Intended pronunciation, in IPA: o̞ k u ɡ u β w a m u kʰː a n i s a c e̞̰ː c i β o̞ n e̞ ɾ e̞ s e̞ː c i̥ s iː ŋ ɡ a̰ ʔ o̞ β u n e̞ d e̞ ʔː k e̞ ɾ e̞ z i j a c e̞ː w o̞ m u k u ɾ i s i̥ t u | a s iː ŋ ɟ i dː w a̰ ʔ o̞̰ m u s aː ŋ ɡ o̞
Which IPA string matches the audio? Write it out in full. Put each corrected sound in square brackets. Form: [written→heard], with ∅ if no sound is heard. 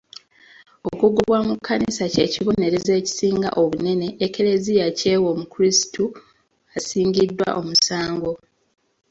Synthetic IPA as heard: o̞ k u ɡ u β w a m u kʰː a n i s a c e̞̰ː c i β o̞ n e̞ ɾ e̞ [s→z] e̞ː c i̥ s iː ŋ ɡ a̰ ʔ o̞ β u n e̞ [d→n] e̞ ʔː k e̞ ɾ e̞ z i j a c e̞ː w o̞ m u k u ɾ i s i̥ t u | a s iː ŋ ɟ i dː w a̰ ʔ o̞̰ m u s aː ŋ ɡ o̞